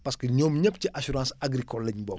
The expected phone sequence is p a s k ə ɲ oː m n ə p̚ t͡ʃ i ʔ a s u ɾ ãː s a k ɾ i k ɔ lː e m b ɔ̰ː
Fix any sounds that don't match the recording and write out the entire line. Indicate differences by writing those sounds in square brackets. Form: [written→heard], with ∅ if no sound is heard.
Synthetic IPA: p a s k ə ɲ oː m [n→ɲ] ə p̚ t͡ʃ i ʔ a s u ɾ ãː s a [k→ɡ] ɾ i k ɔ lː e [m→ɲ] b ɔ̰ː